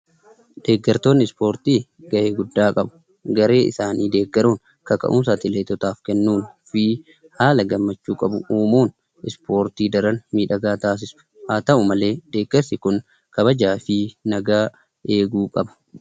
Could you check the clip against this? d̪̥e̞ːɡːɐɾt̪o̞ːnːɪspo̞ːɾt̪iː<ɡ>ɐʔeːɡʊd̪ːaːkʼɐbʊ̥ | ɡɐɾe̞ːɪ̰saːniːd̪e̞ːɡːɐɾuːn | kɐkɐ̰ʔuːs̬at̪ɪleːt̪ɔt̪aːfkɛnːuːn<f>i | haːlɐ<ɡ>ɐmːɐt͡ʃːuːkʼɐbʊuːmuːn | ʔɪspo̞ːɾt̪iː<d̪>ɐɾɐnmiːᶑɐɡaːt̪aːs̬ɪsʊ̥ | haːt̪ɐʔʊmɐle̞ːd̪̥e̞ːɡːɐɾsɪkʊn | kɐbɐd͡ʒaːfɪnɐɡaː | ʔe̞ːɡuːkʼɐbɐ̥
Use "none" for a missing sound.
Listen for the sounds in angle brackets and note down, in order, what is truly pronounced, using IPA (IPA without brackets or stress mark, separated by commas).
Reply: ɡ, f, ɡ, d̪